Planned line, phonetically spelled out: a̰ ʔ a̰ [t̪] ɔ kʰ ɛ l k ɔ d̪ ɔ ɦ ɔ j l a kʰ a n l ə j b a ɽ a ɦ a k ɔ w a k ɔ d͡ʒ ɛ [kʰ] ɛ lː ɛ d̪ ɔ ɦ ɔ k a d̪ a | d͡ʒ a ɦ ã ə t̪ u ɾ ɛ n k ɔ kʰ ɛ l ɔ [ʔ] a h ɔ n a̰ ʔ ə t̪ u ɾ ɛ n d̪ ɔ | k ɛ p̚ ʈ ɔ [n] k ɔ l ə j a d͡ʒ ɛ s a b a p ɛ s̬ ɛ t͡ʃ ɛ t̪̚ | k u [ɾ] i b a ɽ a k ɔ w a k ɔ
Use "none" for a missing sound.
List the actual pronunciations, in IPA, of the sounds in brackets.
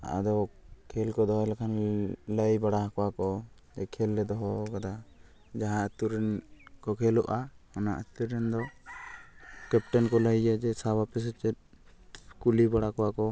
d̪, kʰ, ʔ, n, l

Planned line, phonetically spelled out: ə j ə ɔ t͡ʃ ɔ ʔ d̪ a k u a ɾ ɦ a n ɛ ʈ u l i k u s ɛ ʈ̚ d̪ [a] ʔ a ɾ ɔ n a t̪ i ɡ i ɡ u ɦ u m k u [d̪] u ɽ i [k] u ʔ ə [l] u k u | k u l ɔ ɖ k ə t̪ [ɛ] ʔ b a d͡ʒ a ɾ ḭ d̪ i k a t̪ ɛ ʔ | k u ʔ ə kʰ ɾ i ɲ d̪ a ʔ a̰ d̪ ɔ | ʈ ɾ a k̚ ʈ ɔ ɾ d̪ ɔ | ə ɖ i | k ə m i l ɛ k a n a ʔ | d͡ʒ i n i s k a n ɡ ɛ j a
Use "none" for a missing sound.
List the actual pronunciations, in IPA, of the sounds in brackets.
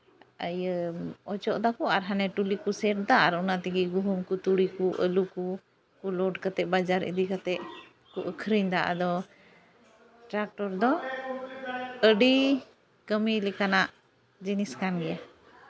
a, t̪, k, l, ɛ

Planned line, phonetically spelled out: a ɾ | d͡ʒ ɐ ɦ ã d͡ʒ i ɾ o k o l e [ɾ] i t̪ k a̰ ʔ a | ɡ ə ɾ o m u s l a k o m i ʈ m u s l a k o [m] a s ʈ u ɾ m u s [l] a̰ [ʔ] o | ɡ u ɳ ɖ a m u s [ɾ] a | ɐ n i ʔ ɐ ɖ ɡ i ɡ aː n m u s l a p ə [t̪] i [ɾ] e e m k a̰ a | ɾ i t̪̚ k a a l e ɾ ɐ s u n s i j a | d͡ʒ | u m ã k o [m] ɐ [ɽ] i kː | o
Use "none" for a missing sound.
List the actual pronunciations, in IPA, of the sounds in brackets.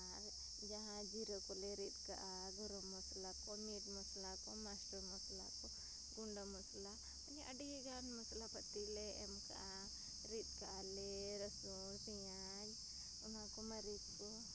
ɾ, m, l, k, l, t̪, l, m, ɾ

